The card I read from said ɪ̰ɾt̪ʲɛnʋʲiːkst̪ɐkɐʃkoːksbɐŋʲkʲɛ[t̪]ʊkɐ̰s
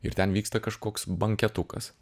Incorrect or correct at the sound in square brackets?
correct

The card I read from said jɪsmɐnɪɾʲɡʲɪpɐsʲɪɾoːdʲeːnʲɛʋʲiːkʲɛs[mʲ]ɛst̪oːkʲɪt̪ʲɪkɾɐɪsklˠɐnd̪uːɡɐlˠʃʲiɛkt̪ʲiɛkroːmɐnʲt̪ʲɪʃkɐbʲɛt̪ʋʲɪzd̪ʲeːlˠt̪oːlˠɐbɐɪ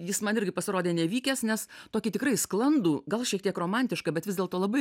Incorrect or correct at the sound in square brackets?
incorrect: nʲ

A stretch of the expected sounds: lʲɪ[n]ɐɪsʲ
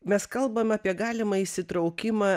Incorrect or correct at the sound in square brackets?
incorrect: m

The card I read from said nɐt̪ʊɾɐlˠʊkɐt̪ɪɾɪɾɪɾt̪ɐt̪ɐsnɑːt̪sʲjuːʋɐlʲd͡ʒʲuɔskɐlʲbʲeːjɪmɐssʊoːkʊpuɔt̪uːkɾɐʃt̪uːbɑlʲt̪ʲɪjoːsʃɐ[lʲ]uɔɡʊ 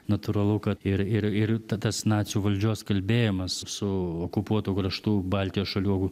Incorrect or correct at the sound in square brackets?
correct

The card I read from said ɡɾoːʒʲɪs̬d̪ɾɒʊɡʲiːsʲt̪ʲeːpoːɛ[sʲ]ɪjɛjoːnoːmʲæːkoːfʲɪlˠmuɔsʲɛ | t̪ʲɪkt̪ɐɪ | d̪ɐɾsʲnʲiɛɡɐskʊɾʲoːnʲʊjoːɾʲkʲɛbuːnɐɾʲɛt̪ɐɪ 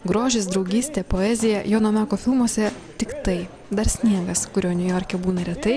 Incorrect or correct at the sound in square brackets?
incorrect: zʲ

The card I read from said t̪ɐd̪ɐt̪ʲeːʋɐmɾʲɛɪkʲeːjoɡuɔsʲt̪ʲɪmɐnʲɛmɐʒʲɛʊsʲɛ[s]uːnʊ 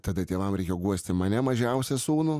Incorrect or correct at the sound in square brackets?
correct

